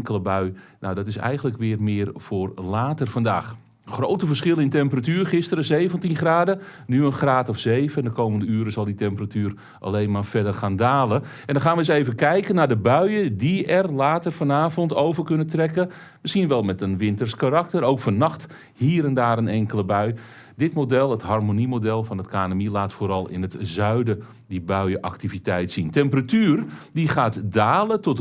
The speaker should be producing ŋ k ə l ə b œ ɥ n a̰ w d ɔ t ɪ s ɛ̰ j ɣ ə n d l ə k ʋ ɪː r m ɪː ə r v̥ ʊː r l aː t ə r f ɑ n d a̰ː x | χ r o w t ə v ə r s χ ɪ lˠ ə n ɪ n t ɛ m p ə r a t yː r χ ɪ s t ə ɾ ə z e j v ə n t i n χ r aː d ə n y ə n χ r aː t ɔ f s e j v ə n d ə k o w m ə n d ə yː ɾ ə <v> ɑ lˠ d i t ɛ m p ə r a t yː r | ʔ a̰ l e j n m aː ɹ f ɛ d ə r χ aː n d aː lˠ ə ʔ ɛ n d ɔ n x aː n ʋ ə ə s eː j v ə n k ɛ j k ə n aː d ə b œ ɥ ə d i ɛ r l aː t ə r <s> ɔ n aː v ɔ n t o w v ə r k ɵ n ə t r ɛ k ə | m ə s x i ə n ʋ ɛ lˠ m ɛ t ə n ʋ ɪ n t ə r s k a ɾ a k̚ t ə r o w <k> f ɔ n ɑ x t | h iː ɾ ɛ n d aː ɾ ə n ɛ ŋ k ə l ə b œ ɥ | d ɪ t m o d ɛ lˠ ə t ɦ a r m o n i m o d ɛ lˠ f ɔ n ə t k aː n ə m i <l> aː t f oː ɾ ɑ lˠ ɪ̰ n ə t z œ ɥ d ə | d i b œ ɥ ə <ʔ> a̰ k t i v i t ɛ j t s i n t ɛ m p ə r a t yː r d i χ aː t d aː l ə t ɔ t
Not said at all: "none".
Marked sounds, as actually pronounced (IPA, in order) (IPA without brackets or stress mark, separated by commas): z, f, k, l, ʔ